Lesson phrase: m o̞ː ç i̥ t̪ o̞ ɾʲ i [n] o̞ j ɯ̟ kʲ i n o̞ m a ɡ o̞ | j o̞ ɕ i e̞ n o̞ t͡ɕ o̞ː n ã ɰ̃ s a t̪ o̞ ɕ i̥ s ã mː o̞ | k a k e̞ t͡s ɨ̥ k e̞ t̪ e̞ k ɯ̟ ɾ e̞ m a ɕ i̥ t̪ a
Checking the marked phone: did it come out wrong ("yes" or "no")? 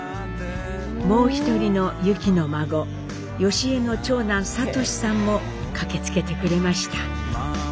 no